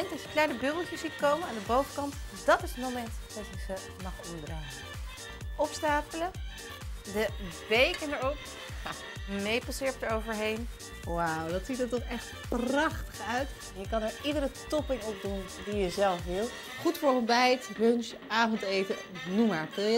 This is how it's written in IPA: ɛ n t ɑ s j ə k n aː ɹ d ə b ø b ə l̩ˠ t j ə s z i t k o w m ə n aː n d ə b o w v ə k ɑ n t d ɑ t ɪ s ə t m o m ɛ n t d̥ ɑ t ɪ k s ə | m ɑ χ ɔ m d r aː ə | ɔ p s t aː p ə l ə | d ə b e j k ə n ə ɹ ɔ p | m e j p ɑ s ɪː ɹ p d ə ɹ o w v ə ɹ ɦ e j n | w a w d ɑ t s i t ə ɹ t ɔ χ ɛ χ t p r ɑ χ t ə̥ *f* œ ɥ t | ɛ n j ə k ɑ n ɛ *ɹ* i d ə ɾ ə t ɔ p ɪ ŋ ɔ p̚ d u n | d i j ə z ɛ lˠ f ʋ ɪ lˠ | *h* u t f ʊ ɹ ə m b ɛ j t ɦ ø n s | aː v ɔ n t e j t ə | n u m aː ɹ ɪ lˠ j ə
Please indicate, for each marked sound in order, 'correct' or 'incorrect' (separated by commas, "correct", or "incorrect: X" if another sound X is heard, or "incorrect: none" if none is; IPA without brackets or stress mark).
incorrect: χ, correct, incorrect: χ